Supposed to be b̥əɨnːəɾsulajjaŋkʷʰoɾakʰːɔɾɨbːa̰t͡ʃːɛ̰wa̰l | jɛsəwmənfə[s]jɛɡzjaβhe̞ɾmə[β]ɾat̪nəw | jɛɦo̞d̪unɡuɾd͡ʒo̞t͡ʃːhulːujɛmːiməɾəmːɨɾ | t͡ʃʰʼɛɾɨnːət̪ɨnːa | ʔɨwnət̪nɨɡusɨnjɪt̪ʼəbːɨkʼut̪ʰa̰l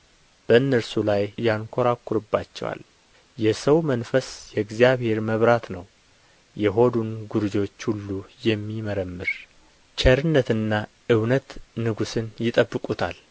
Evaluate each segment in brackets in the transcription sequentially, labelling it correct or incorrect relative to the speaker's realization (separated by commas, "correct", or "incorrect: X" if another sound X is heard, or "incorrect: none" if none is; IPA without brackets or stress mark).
correct, correct